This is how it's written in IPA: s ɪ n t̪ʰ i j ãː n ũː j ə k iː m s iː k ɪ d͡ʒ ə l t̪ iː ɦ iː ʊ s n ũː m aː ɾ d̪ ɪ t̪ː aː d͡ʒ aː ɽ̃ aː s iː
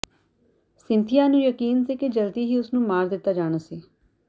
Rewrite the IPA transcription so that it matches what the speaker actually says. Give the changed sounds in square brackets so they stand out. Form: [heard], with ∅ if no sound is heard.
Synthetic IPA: s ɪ n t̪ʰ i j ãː n ũː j ə k iː [n] s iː k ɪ d͡ʒ ə l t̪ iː ɦ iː ʊ s n ũː m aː ɾ d̪ ɪ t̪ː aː d͡ʒ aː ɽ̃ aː s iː